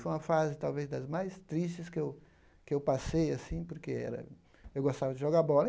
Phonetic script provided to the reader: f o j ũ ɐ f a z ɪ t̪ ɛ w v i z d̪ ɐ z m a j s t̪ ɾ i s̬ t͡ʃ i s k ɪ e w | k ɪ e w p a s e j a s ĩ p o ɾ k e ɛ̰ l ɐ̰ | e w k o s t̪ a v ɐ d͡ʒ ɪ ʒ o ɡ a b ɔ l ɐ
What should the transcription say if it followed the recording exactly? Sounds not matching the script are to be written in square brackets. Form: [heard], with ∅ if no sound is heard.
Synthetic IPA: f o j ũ ɐ f a z ɪ t̪ [a] w v [e] z d̪ ɐ z m a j s t̪ ɾ i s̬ t͡ʃ [ɪ] s k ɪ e w | k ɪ e w p a s e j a s ĩ p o ɾ k e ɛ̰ [ɾ] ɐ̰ | e w [ɡ] o s t̪ a v ɐ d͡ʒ ɪ ʒ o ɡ a b ɔ l ɐ